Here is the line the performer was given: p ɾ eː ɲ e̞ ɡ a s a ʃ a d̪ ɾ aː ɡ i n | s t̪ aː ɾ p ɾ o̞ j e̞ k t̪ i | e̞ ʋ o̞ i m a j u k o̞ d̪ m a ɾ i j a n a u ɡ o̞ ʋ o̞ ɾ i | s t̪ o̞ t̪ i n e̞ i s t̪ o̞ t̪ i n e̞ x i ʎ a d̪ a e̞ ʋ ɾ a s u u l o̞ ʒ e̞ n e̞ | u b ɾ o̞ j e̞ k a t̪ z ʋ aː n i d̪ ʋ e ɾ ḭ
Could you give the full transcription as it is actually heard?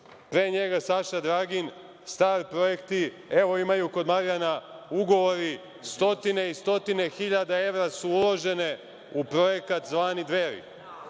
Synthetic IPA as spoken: p ɾ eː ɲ e̞ ɡ a s a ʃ a d̪ ɾ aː ɡ i n | s t̪ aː ɾ p ɾ o̞ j e̞ k t̪ i | e̞ ʋ o̞ i m a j u k o̞ d̪ m a ɾ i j a n a u ɡ o̞ ʋ o̞ ɾ i | s t̪ o̞ t̪ i n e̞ i s t̪ o̞ t̪ i n e̞ x i ʎ a d̪ a e̞ ʋ ɾ a s u u l o̞ ʒ e̞ n e̞ | u p ɾ o̞ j e̞ k a t̪ z ʋ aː n i d̪ ʋ e ɾ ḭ